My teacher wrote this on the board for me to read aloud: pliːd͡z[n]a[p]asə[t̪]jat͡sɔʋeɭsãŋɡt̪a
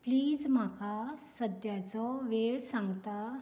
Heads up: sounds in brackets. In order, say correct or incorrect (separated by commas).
incorrect, incorrect, incorrect